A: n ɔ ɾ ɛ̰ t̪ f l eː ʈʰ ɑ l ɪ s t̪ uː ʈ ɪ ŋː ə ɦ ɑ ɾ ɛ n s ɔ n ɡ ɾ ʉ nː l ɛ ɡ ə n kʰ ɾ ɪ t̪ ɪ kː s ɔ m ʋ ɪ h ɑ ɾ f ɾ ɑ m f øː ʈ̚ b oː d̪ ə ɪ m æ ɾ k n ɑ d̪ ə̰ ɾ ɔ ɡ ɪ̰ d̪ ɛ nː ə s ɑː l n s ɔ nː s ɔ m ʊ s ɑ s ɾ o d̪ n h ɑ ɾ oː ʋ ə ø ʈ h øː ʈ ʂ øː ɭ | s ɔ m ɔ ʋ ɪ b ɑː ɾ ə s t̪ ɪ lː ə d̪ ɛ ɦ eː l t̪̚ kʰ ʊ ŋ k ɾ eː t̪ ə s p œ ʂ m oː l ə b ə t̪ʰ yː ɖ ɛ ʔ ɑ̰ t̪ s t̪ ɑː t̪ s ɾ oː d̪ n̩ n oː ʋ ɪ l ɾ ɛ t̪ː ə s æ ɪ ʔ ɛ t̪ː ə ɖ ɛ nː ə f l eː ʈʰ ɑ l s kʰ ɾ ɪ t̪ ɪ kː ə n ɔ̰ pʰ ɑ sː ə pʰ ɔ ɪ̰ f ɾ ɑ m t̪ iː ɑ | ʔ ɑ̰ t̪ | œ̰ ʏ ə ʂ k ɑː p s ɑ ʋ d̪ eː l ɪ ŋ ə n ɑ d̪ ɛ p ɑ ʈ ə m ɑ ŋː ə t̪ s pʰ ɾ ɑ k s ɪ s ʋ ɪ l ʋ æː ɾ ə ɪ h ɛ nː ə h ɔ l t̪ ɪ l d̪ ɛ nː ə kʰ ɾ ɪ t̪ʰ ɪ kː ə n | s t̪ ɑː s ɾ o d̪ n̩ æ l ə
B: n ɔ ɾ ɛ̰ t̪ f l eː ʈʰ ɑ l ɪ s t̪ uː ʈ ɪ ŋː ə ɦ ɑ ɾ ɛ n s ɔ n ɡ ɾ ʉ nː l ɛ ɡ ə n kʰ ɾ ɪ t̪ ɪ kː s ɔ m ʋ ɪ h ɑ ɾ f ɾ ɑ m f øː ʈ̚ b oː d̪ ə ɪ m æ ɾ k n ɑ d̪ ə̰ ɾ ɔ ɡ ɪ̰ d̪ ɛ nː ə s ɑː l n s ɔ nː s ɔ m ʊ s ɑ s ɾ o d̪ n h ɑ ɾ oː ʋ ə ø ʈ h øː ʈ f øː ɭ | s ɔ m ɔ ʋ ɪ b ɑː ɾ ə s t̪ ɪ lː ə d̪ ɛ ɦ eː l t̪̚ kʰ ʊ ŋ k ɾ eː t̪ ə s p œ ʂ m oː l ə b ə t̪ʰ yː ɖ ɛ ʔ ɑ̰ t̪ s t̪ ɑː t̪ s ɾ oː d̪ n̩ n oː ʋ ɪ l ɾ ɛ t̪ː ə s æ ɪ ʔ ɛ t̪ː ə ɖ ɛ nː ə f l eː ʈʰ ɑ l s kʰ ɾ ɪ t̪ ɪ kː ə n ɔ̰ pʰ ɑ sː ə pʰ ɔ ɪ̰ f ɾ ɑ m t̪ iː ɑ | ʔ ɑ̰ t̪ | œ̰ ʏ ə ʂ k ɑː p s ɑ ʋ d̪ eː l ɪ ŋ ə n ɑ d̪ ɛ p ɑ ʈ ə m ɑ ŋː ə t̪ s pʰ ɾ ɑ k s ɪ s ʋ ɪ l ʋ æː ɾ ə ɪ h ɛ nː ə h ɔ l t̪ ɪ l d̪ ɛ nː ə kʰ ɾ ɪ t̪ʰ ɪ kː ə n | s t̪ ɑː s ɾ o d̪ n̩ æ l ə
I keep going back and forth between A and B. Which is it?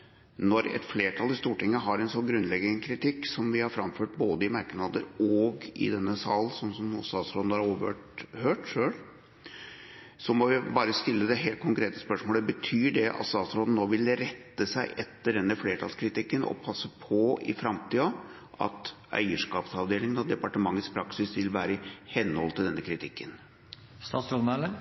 A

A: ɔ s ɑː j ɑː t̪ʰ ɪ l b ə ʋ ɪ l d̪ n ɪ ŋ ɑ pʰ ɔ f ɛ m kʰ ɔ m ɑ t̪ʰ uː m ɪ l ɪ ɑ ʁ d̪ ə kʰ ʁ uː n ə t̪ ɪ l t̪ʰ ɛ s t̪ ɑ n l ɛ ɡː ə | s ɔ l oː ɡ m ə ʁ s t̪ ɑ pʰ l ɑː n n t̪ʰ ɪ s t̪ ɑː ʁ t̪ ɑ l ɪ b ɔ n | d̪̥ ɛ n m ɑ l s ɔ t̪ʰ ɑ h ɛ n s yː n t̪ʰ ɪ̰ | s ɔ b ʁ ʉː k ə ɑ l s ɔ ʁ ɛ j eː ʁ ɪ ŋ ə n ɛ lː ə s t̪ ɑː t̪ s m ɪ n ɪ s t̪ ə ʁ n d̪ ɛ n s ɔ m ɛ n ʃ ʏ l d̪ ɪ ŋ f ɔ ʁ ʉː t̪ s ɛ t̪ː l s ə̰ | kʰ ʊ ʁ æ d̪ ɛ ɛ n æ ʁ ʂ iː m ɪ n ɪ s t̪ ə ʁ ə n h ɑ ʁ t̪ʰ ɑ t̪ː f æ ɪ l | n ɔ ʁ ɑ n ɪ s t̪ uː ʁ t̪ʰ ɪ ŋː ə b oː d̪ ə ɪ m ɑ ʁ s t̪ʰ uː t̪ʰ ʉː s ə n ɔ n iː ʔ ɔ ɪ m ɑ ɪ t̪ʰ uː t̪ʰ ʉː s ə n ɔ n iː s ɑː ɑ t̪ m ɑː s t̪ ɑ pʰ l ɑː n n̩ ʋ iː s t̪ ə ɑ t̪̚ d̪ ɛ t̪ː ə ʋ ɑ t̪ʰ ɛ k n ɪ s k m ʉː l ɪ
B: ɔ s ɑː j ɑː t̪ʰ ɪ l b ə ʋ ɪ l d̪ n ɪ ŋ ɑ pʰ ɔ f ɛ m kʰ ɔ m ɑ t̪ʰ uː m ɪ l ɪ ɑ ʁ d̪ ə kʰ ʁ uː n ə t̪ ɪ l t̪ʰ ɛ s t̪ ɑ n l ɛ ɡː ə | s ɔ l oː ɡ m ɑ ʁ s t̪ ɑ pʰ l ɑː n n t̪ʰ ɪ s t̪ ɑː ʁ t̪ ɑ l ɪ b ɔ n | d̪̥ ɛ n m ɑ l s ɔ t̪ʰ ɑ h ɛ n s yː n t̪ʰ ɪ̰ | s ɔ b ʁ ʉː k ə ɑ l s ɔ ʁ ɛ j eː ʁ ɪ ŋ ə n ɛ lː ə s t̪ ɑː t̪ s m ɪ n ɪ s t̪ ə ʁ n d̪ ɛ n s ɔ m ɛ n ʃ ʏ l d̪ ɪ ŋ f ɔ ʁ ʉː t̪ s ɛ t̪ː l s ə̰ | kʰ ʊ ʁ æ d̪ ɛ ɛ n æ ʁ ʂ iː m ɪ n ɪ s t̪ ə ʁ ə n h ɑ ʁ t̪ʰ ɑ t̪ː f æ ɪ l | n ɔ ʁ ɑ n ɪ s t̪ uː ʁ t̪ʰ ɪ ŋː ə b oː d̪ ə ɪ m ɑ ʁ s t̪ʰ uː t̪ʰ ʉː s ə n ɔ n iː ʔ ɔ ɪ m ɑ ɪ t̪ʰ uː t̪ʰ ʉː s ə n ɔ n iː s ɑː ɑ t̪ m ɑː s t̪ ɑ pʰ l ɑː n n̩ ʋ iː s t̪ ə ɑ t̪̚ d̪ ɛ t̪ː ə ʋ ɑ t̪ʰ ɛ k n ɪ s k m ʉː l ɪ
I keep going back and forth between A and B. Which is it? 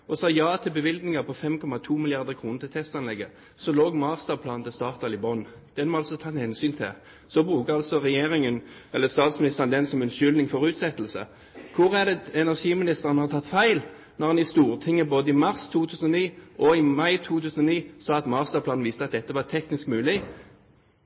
B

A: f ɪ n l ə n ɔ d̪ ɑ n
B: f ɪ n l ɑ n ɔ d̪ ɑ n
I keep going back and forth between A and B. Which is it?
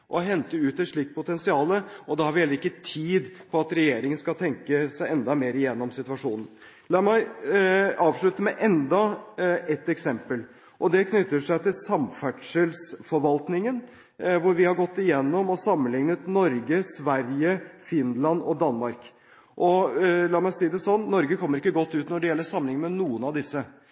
B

